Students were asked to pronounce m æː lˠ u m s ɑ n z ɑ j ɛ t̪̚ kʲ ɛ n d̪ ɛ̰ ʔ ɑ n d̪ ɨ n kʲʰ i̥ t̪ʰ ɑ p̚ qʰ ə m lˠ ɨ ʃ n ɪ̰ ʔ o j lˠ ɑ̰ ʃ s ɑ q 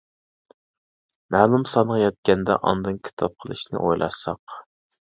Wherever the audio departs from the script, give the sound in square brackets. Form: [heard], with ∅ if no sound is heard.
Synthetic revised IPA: m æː lˠ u m s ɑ n [ʁ] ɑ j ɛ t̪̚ kʲ ɛ n d̪ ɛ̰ ʔ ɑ n d̪ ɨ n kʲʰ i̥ t̪ʰ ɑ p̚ qʰ ə [∅] lˠ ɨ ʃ n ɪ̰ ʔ o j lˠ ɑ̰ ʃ s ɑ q